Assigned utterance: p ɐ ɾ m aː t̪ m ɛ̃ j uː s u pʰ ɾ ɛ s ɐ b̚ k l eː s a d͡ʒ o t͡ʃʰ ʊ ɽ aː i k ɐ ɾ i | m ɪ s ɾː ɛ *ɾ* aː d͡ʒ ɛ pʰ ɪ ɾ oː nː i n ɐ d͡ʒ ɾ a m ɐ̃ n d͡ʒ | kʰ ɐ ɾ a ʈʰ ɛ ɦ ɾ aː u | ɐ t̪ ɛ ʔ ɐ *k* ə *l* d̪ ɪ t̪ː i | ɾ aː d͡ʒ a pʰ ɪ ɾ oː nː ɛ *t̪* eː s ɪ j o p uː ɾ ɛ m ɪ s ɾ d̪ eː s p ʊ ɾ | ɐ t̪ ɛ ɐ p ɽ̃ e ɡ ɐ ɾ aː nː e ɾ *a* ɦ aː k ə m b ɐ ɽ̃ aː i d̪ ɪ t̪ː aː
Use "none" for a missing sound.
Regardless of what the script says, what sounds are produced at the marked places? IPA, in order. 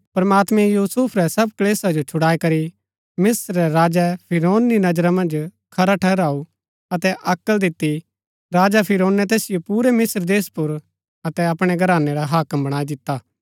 ɾ, k, l, t̪, a

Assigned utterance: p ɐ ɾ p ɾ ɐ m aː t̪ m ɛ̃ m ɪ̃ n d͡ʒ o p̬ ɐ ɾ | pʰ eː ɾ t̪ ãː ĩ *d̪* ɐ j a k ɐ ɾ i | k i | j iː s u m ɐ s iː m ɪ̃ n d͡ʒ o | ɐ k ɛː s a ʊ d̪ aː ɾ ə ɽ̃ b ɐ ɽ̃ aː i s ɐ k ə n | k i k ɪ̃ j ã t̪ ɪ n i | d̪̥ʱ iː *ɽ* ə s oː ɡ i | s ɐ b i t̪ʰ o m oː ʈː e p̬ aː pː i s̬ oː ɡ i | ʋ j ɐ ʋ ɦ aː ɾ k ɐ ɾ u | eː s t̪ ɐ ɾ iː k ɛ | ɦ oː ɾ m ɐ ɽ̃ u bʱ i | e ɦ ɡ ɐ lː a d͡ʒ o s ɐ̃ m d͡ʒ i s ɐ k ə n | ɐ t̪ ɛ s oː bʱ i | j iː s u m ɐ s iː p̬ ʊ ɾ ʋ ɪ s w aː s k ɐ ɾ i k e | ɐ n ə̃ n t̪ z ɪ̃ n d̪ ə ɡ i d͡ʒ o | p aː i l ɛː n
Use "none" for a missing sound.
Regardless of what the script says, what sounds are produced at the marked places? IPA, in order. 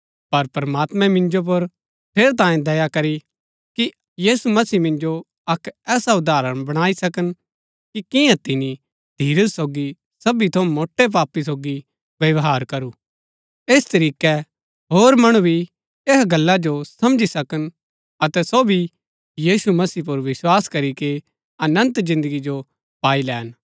d̪, ɾ

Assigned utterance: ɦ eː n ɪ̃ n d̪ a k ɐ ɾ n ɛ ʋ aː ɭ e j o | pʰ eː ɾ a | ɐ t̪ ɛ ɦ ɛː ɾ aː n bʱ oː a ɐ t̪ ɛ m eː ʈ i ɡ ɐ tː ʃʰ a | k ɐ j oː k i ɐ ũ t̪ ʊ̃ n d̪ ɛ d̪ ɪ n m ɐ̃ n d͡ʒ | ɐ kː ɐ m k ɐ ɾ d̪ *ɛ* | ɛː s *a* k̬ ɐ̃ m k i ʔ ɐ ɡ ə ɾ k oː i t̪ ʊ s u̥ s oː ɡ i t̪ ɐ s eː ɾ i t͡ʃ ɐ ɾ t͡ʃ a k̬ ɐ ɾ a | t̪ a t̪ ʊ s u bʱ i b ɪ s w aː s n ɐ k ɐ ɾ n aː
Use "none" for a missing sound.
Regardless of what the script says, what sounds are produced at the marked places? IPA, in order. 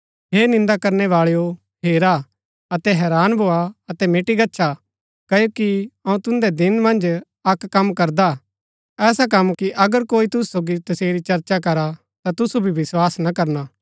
a, a

